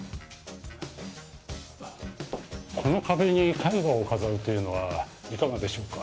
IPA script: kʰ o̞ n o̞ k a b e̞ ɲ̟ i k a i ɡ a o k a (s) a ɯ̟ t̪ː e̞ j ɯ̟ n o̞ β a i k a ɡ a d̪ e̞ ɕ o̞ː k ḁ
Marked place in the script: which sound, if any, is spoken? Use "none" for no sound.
z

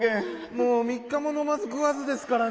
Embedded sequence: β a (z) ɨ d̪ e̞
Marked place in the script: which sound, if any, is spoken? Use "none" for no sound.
z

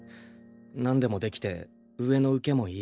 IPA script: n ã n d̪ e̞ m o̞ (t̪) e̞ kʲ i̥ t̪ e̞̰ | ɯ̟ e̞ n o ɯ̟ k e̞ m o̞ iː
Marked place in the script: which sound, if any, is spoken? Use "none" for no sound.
d̪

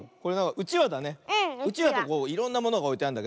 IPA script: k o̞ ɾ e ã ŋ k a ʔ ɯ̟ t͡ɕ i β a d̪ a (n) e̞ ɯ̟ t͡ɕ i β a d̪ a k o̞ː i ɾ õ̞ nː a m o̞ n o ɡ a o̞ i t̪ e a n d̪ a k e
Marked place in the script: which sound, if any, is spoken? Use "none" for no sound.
n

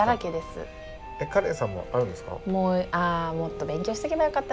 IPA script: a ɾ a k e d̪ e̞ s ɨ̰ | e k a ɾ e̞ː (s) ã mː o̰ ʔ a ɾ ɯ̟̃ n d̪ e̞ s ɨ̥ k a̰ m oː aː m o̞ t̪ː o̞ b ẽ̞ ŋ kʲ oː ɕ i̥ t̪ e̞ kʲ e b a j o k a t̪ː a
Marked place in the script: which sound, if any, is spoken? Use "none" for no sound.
s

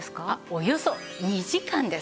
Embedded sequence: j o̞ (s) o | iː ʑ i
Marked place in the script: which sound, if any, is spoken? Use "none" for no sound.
s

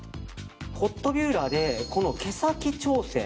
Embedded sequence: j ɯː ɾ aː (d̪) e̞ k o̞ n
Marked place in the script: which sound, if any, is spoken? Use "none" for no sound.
d̪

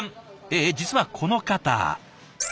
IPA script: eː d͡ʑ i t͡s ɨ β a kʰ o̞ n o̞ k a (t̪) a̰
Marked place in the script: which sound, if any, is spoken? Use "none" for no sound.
t̪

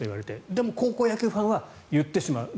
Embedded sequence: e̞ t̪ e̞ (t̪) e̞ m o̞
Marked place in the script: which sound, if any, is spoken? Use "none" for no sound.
d̪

